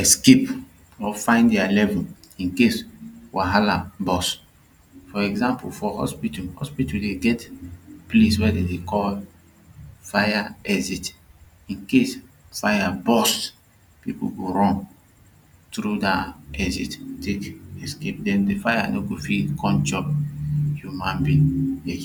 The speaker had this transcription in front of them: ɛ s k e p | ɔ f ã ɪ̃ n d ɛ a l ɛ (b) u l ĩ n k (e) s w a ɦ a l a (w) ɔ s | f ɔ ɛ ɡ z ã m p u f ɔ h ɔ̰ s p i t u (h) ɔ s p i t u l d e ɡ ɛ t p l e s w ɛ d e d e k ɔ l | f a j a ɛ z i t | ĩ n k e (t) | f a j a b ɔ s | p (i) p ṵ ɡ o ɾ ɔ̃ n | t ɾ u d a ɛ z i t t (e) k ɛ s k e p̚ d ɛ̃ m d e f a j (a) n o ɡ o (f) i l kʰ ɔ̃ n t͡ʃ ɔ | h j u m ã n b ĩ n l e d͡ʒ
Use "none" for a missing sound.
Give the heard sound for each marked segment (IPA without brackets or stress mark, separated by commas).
v, e, b, h, s, i, e, a, f